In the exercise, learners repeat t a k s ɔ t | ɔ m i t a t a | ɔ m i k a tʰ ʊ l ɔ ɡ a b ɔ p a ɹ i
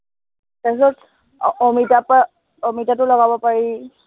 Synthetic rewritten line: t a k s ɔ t | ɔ m i t a p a | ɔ m i t a t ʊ l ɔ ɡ a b ɔ p a ɹ i